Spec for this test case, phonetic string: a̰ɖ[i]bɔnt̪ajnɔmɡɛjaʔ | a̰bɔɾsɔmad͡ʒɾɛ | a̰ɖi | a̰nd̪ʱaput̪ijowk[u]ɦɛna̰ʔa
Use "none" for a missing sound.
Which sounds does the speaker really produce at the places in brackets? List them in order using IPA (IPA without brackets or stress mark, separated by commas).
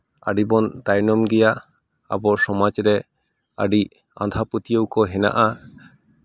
i, ɔ